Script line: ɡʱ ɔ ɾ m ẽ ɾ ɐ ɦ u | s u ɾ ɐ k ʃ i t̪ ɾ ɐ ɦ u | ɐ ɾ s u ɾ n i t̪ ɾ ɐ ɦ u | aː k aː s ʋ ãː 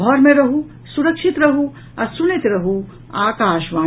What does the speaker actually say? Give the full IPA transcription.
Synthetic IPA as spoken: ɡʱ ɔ ɾ m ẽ ɾ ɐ ɦ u | s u ɾ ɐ k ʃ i t̪ ɾ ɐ ɦ u | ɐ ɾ s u n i t̪ ɾ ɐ ɦ u | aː k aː ʃ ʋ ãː

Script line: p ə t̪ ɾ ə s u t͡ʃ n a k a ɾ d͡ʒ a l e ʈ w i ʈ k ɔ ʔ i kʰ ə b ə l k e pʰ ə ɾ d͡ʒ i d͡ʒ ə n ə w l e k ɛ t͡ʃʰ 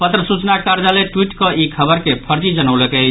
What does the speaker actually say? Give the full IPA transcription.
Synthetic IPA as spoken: p ə t̪ ɾ ə s u t͡ʃ n a k a ɾ d͡ʒ a l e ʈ w i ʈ k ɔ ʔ i kʰ ə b ə ɾ k e pʰ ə ɾ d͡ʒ i d͡ʒ ə n ə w l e k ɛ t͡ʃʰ

